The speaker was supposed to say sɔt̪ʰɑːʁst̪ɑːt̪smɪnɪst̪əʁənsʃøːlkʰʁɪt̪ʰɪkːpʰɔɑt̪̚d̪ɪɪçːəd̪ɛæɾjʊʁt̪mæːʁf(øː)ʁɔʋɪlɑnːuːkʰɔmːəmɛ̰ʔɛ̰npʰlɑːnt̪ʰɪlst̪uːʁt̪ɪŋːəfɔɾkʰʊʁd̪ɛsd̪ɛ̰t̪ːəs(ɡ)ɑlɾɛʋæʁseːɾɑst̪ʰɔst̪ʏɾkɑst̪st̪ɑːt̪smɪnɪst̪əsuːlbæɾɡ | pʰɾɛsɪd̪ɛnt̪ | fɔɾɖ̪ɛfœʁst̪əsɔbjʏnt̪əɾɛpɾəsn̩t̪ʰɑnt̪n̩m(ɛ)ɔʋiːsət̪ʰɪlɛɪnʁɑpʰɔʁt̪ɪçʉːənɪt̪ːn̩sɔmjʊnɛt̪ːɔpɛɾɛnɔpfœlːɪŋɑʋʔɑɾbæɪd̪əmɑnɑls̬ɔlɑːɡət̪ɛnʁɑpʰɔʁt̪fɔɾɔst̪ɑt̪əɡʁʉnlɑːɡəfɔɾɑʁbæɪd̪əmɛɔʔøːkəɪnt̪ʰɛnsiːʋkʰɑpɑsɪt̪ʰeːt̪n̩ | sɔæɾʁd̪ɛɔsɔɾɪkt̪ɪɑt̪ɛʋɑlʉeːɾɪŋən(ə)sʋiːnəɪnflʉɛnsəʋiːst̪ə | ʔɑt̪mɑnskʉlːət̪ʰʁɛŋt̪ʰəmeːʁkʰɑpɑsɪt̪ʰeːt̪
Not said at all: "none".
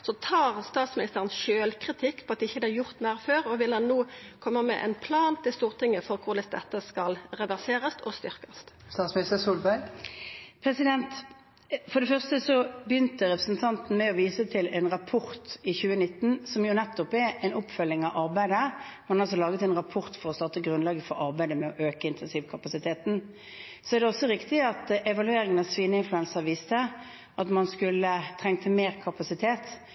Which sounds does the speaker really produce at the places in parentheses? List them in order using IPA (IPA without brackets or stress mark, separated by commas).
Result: øː, k, ɛ, ɑ